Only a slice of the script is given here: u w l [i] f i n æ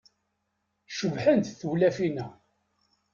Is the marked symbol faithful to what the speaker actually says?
no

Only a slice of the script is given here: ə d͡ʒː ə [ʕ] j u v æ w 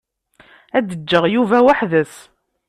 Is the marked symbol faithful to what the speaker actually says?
no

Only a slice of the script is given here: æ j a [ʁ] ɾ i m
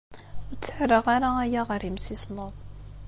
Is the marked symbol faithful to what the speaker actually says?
yes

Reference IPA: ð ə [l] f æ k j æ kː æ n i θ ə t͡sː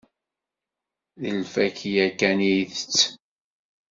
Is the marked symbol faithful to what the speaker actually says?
yes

